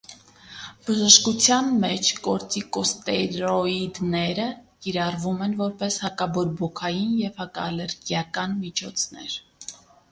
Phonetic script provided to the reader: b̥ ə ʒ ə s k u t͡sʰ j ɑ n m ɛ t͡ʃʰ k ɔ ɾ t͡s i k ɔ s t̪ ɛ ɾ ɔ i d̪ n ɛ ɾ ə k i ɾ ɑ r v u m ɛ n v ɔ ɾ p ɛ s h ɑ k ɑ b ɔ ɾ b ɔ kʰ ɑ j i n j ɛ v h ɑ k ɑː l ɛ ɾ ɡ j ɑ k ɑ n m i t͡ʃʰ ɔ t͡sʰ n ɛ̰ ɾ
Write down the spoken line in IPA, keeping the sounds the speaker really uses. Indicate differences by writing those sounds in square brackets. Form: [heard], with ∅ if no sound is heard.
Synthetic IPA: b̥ ə ʒ ə [ʃ] k u t͡sʰ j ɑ n m ɛ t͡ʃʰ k ɔ ɾ t͡s i k ɔ s t̪ ɛ ɾ ɔ i d̪ n ɛ ɾ ə k i ɾ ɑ r v u m ɛ n v ɔ ɾ p ɛ s h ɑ k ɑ b ɔ ɾ b ɔ kʰ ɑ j i n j ɛ v h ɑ k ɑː l ɛ ɾ ɡ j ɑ k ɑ n m i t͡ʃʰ ɔ t͡sʰ n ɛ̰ ɾ

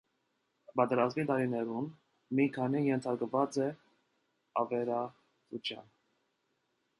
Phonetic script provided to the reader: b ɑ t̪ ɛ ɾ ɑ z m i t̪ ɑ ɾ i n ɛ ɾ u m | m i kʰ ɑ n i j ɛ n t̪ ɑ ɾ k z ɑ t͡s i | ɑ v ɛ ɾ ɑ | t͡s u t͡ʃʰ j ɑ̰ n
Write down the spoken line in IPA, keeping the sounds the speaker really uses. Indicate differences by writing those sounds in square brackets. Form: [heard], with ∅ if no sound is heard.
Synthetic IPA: b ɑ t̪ ɛ ɾ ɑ z m i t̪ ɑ ɾ i n ɛ ɾ u [n] | m i kʰ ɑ n i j ɛ n [t̪ʰ] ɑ ɾ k [v] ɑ t͡s [ɛ] | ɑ v ɛ ɾ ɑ | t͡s u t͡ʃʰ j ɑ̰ n

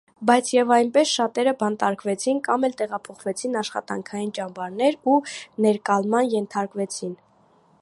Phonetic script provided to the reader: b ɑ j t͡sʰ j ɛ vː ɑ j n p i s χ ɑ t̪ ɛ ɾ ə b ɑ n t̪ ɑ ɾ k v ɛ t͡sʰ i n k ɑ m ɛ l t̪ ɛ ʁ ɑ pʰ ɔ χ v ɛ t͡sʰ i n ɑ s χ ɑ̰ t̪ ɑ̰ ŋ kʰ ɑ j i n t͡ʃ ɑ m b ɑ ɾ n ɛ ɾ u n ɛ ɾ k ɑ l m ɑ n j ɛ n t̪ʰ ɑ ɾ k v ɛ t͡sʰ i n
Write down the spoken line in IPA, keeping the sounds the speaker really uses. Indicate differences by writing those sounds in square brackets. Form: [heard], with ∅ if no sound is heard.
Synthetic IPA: b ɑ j t͡sʰ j ɛ [v] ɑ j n p [ɛ] s [ʃ] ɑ t̪ ɛ ɾ ə b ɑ n t̪ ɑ ɾ k v ɛ t͡sʰ i n k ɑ m ɛ l t̪ ɛ ʁ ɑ pʰ ɔ χ v ɛ t͡sʰ i n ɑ [ʃ] χ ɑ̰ t̪ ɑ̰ ŋ kʰ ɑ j i n t͡ʃ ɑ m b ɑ ɾ n ɛ ɾ u n ɛ ɾ k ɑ l m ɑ n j ɛ n t̪ʰ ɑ ɾ k v ɛ t͡sʰ i n

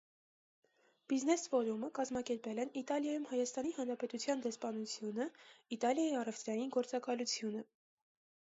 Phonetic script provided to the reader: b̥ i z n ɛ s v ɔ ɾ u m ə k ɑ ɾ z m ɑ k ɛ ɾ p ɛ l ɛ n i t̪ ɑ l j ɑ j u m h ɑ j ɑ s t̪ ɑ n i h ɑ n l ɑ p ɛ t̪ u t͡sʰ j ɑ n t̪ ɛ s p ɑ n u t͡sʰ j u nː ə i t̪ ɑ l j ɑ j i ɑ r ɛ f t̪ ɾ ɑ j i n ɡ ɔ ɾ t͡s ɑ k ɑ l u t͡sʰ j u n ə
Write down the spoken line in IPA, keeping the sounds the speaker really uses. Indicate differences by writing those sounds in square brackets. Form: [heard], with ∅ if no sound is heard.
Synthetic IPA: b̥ i z n ɛ s v ɔ ɾ u m ə k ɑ [∅] z m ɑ k ɛ ɾ p ɛ l ɛ n i t̪ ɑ l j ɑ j u m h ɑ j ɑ s t̪ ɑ n i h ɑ n [ɾ] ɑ p ɛ t̪ u t͡sʰ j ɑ n [d̪] ɛ s p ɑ n u t͡sʰ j u [n] ə i t̪ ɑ l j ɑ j i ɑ r ɛ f t̪ ɾ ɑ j i n ɡ ɔ ɾ t͡s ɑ k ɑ l u t͡sʰ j u n ə

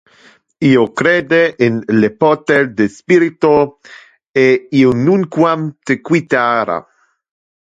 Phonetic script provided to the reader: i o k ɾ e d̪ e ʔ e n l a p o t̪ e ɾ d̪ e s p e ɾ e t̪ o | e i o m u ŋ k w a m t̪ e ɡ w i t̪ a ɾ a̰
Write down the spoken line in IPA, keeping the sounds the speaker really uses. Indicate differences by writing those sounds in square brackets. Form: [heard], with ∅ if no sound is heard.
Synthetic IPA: i o k ɾ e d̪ e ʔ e n l [e] p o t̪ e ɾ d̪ e s p [i] ɾ [i] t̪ o | e i o [n] u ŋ k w a m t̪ e [k] w i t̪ a ɾ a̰

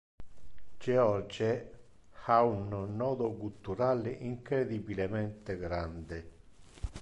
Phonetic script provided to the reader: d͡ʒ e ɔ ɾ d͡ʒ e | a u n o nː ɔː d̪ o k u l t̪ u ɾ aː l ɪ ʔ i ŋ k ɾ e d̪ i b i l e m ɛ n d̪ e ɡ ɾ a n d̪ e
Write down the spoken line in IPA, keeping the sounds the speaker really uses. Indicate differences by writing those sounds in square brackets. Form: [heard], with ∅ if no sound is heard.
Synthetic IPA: d͡ʒ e ɔ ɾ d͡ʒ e | a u n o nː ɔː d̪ o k u l t̪ u ɾ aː l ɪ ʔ i ŋ k ɾ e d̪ i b i l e m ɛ n [t̪] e ɡ ɾ a n d̪ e

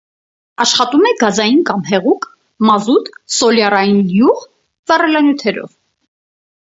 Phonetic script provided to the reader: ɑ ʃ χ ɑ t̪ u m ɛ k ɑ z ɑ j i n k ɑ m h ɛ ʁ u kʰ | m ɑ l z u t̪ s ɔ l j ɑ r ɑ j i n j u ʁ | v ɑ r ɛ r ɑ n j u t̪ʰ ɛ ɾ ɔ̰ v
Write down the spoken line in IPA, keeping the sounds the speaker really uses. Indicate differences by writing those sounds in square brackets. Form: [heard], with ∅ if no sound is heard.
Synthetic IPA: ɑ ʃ χ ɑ t̪ u m ɛ [ɡ] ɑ z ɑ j i n k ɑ m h ɛ ʁ u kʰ | m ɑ [∅] z u t̪ s ɔ l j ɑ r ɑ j i n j u ʁ | v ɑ r ɛ [l] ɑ n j u t̪ʰ ɛ ɾ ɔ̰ v

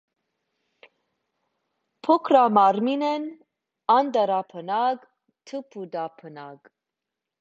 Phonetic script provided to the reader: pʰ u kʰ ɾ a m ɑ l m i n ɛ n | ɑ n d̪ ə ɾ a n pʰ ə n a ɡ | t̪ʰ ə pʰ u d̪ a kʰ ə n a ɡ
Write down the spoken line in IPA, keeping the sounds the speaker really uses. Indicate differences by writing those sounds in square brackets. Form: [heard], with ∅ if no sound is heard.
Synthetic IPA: pʰ [ɔ] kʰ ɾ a m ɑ [ɾ] m i n ɛ n | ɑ n d̪ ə ɾ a [∅] pʰ ə n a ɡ | t̪ʰ ə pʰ u d̪ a [pʰ] ə n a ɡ

